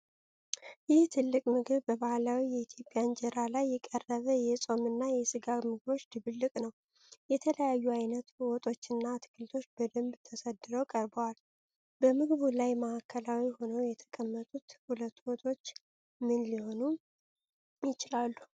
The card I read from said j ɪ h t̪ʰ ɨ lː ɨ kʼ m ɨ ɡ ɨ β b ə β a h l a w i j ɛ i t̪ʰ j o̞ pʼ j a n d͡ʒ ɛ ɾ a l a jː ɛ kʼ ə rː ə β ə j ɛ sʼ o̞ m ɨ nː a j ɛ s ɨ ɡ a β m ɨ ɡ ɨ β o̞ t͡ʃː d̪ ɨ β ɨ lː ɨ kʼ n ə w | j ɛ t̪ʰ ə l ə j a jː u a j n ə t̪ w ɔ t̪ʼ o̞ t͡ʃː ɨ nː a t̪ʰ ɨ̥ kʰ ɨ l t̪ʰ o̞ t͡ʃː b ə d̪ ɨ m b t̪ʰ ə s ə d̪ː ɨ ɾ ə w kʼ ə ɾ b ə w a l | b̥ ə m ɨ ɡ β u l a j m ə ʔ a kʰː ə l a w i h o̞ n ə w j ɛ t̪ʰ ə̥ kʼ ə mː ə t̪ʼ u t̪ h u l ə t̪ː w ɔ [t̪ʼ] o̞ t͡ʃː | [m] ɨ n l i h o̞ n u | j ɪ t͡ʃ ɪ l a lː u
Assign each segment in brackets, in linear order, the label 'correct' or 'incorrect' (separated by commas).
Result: correct, correct